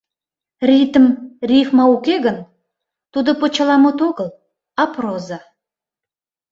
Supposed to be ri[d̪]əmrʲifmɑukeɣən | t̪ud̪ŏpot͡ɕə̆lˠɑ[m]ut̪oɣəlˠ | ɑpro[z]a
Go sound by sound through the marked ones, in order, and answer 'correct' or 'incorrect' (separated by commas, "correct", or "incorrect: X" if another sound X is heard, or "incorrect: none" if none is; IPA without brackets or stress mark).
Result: incorrect: t̪, correct, correct